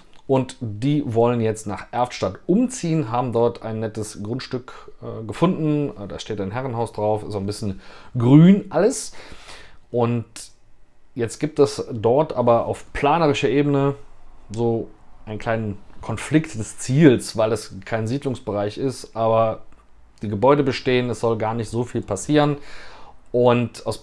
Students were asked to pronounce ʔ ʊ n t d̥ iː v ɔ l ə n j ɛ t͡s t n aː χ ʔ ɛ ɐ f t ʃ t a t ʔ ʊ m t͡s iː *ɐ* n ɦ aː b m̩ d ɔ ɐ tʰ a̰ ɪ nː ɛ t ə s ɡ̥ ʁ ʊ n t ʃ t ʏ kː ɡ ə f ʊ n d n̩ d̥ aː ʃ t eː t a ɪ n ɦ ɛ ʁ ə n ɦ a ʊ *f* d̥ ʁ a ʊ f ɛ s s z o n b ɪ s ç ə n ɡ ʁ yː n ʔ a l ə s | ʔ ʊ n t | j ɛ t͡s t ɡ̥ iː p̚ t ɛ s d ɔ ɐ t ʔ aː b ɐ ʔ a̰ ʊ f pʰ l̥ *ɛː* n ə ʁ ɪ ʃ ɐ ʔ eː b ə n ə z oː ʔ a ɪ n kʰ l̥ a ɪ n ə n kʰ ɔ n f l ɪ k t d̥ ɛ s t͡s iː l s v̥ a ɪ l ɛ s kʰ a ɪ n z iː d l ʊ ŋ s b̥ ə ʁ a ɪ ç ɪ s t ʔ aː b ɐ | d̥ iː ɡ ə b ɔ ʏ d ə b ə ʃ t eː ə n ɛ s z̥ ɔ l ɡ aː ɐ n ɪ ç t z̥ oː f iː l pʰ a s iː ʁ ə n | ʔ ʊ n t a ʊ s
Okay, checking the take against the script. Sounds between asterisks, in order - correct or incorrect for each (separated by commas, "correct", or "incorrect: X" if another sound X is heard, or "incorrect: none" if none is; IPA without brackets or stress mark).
incorrect: ə, incorrect: s, incorrect: aː